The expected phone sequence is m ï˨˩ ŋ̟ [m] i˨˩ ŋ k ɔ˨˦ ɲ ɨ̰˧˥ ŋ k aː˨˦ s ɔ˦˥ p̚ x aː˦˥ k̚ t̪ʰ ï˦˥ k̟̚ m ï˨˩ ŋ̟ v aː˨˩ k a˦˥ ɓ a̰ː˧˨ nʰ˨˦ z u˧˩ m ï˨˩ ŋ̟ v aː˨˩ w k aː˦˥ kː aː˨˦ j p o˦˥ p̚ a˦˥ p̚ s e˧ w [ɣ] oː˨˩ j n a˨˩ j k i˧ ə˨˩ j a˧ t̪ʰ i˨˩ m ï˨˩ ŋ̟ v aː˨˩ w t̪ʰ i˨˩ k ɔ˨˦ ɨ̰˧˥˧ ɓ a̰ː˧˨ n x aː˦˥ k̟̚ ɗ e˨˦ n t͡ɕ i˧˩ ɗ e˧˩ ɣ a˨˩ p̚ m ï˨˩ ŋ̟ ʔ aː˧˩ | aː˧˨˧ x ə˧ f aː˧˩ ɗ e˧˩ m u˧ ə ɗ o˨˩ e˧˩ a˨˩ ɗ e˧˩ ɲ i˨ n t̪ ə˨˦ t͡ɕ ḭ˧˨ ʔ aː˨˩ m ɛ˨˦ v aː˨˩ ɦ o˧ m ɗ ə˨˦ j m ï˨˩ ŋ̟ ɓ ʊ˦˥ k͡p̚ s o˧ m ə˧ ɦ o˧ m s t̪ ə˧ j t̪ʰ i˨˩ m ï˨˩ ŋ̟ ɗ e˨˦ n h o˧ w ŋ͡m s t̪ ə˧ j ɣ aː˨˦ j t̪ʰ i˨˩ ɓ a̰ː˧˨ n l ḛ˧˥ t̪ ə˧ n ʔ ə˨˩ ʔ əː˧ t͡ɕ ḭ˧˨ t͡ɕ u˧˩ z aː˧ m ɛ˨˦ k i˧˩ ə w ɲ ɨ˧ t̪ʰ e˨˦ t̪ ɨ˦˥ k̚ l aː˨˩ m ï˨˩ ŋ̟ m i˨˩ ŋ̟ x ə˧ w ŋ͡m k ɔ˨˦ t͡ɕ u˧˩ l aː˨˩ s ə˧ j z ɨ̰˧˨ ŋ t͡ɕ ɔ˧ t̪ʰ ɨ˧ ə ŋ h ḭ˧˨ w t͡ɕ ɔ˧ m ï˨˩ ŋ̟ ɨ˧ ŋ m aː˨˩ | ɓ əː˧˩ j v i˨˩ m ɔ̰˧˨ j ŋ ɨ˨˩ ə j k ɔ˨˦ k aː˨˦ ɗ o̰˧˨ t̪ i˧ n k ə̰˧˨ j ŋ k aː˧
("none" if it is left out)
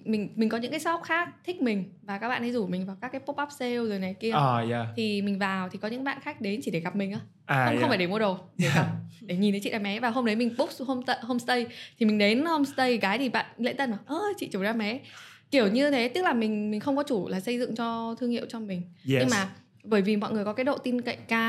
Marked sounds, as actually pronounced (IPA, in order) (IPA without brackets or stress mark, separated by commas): m, z